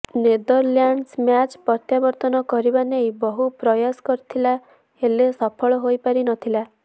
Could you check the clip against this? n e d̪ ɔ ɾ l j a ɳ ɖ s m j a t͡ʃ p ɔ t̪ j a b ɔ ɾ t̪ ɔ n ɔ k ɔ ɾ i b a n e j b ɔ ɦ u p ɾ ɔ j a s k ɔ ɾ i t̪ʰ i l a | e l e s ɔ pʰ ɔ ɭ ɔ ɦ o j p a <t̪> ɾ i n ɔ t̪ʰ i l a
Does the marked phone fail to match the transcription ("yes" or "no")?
yes